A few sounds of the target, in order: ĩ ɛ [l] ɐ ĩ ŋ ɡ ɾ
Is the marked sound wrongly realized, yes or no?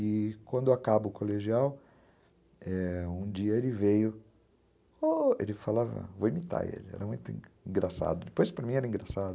yes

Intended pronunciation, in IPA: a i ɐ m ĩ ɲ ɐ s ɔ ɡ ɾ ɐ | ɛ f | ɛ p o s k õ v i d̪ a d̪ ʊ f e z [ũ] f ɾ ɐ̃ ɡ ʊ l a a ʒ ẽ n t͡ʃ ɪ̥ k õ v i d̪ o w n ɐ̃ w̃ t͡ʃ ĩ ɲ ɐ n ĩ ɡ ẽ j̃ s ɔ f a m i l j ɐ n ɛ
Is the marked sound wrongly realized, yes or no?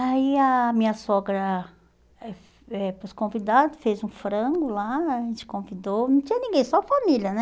no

